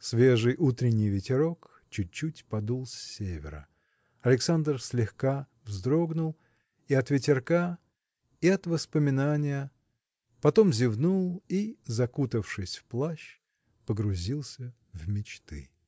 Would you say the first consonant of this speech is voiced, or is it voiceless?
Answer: voiceless